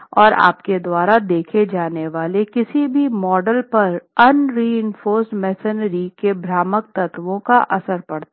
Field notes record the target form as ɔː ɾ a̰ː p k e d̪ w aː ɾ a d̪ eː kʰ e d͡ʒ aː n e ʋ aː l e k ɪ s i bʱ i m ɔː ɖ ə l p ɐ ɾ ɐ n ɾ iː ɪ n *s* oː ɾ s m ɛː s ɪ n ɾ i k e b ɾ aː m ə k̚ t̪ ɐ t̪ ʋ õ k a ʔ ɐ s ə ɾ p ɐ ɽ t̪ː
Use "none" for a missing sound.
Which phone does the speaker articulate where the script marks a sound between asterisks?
f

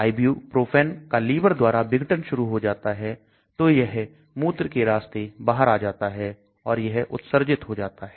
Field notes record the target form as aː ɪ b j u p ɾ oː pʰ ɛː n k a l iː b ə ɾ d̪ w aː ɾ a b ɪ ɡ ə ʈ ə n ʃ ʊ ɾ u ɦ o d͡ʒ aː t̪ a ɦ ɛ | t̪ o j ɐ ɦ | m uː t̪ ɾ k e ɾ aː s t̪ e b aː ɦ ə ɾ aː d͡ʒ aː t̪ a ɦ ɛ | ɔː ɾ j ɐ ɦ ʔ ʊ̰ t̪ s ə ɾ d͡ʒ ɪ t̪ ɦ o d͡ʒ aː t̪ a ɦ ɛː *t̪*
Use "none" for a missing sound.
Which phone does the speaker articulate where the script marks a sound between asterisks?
none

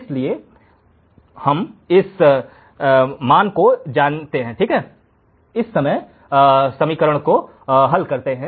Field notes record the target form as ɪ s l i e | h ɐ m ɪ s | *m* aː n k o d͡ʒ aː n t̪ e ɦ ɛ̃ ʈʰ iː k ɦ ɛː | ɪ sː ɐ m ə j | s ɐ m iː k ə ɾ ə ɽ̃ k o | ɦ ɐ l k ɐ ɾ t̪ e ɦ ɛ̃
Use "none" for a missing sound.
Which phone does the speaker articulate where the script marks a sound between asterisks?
m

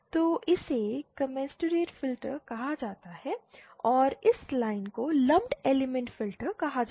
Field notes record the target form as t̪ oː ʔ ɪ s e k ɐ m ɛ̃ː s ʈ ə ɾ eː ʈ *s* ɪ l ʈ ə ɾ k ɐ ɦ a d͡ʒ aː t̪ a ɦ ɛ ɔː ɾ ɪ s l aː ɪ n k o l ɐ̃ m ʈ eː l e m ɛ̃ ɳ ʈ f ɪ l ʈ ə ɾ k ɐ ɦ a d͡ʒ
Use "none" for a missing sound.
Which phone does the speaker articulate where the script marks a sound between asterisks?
f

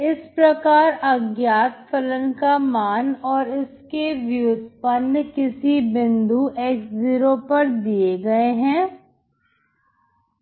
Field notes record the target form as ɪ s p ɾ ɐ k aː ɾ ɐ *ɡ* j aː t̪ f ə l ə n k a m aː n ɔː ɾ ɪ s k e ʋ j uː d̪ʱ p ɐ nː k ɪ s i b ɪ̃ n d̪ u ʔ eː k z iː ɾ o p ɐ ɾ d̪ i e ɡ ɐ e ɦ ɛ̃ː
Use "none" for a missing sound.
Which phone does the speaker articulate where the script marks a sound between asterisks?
ɡ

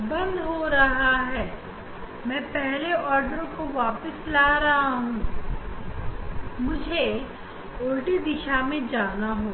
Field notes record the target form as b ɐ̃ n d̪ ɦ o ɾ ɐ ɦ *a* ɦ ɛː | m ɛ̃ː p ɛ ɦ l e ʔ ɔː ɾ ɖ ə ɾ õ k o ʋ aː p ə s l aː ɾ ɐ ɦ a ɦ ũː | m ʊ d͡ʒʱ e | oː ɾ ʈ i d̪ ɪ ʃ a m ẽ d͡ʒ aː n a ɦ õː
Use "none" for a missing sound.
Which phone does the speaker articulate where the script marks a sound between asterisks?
a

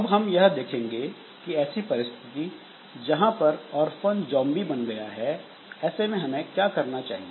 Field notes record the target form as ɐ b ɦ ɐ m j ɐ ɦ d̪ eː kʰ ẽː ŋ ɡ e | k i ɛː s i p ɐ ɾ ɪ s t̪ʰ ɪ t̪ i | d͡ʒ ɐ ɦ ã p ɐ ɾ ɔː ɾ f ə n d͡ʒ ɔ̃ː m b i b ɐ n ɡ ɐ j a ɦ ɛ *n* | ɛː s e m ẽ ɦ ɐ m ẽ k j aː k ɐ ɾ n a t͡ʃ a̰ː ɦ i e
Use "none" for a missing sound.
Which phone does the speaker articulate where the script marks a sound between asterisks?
none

